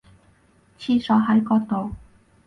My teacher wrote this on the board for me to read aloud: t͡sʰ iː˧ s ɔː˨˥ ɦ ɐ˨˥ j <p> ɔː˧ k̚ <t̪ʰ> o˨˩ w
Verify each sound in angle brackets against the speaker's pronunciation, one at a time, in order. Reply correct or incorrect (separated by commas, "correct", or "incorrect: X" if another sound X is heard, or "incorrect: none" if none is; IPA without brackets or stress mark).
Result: incorrect: k, incorrect: t̪